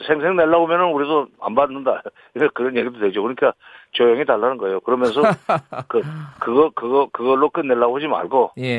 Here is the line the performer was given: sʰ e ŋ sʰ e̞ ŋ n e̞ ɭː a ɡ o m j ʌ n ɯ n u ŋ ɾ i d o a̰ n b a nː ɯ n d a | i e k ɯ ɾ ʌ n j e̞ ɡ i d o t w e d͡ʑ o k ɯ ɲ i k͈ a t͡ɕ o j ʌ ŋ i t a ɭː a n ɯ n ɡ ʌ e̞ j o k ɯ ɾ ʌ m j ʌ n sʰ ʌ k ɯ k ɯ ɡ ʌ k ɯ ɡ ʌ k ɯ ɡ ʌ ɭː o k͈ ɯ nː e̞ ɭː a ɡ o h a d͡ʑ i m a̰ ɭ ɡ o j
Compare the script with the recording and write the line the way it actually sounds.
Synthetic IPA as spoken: sʰ e ŋ sʰ e̞ ŋ n e̞ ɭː a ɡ o m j ʌ n ɯ n u ɾ i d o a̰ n b a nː ɯ n d a | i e k ɯ ɾ ʌ n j e̞ ɡ i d o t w e d͡ʑ o k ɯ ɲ i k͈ a t͡ɕ o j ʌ ŋ i t a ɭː a n ɯ n ɡ ʌ e̞ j o k ɯ ɾ ʌ m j ʌ n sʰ ʌ k ɯ k ɯ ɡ ʌ k ɯ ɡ ʌ k ɯ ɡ ʌ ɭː o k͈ ɯ nː e̞ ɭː a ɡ o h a d͡ʑ i m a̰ ɭ ɡ o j